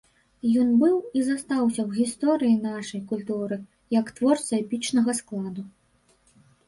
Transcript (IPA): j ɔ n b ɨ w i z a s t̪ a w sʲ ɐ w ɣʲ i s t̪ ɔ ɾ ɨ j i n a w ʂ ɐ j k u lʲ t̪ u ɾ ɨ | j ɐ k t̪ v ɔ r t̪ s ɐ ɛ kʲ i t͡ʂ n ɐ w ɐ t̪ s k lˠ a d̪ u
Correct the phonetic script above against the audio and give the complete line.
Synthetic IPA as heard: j ɔ n b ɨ w i z a s t̪ a w sʲ ɐ w ɣʲ i s t̪ ɔ ɾ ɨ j i n a ʂ ɐ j k u lʲ t̪ u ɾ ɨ | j ɐ k t̪ v ɔ r t̪ s ɐ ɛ pʲ i t͡ʂ n ɐ ɣ ɐ s k lˠ a d̪ u

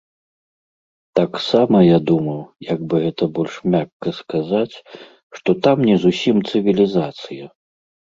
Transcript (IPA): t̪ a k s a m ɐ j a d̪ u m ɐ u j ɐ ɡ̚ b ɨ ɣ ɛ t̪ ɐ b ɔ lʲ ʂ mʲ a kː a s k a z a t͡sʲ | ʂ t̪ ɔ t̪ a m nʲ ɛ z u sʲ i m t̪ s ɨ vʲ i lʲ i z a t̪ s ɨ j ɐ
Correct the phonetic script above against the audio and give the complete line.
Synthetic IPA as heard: t̪ a k s a m ɐ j a d̪ u m ɐ w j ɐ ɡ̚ b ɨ ɣ ɛ t̪ ɐ b ɔ lʲ ʂ mʲ a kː ɐ s k a z a t͡sʲ | ʂ t̪ ɔ t̪ a m nʲ ɛ z u sʲ i m t̪ s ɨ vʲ i lʲ i z a t̪ s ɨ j ɐ

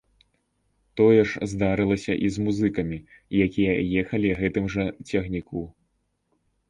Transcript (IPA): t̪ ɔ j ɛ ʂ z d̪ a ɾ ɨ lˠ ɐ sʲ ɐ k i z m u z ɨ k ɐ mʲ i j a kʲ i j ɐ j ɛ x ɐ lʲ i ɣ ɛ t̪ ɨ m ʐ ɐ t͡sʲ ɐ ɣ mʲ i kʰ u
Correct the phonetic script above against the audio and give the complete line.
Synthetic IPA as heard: t̪ ɔ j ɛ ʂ z d̪ a ɾ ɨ lˠ ɐ sʲ ɐ ʔ i z m u z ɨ k ɐ mʲ i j a kʲ i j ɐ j ɛ x ɐ lʲ i ɣ ɛ t̪ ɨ m ʐ ɐ t͡sʲ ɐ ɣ nʲ i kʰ u

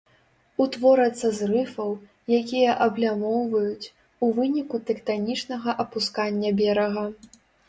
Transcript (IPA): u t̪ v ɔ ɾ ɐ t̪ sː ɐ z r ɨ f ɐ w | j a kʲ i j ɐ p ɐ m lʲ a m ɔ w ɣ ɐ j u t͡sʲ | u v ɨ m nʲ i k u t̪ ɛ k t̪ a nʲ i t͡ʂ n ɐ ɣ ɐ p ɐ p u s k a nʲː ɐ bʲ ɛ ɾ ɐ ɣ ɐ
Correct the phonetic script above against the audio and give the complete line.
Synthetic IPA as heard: u t̪ v ɔ ɾ ɐ t̪ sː ɐ z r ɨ f ɐ w | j a kʲ i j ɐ ʔ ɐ b lʲ a m ɔ w v ɐ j u t͡sʲ | u v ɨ nʲ i k u t̪ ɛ k t̪ a nʲ i t͡ʂ n ɐ ɣ ɐ ʔ ɐ p u s k a nʲː ɐ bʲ ɛ ɾ ɐ ɣ ɐ

